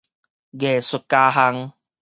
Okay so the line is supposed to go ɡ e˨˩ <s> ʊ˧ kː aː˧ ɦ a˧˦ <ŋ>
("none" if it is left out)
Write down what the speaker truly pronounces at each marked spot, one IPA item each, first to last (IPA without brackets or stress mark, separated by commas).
s, ŋ